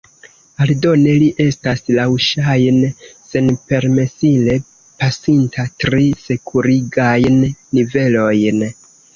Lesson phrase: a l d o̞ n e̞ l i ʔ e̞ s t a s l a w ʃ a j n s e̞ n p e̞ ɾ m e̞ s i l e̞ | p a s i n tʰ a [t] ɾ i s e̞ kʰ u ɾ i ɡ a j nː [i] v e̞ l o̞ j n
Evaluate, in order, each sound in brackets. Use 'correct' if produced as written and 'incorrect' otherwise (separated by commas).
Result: correct, correct